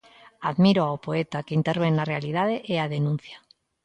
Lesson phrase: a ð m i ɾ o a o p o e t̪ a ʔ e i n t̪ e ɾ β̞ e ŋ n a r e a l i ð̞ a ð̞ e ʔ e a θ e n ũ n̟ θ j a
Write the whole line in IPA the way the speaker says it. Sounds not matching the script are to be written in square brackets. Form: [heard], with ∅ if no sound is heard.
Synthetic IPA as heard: a ð m i ɾ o a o p o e t̪ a [k] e i n t̪ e ɾ β̞ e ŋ n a r e a l i ð̞ a ð̞ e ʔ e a [ð] e n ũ n̟ θ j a